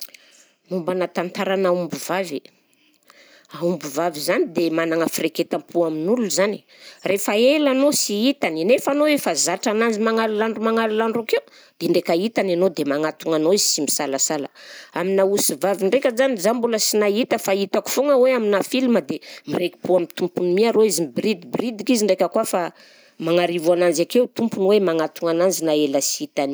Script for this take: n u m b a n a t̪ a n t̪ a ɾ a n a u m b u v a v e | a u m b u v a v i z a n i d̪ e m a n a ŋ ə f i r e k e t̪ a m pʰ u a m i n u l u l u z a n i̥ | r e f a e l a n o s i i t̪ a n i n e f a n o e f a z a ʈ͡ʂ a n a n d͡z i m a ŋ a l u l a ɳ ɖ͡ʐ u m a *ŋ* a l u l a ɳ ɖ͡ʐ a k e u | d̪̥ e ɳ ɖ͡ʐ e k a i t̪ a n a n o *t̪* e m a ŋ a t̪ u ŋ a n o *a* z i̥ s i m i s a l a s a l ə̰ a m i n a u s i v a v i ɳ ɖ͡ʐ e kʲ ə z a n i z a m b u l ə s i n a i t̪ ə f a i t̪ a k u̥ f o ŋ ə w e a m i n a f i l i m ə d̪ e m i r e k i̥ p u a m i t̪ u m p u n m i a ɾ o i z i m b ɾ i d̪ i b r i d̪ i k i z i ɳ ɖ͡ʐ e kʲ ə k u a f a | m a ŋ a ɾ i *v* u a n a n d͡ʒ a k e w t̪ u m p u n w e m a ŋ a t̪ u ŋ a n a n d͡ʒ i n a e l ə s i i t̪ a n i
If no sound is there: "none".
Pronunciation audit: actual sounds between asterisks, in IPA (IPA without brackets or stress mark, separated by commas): ŋ, d̪, i, v